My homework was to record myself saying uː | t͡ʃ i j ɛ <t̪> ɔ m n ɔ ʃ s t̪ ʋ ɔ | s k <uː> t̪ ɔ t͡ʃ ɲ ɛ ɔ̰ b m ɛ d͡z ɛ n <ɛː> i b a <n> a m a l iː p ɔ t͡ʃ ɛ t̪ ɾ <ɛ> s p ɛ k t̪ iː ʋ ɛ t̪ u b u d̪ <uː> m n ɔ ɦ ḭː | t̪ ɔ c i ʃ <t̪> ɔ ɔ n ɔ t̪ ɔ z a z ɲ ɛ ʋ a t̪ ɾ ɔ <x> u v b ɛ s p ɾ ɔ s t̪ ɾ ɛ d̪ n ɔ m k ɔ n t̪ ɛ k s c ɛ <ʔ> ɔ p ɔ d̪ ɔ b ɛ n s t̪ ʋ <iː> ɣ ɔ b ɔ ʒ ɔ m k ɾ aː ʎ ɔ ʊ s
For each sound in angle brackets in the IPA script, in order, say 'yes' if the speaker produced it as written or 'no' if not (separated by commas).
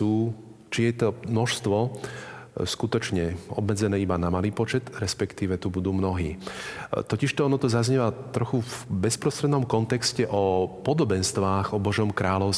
yes, no, yes, yes, yes, yes, yes, yes, yes, no